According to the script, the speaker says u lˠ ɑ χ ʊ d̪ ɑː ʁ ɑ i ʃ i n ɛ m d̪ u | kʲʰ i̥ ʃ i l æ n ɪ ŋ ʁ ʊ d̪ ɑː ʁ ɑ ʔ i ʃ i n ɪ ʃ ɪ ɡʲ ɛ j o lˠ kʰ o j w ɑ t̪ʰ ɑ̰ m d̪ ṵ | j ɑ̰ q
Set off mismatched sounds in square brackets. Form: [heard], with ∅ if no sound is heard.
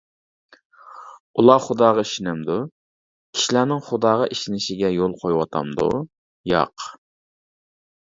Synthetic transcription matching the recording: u lˠ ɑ χ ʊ d̪ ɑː ʁ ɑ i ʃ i n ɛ m d̪ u | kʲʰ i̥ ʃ i l æ n ɪ ŋ [χ] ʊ d̪ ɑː ʁ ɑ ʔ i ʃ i n ɪ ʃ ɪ ɡʲ ɛ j o lˠ [qʰ] o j w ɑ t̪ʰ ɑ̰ m d̪ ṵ | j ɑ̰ q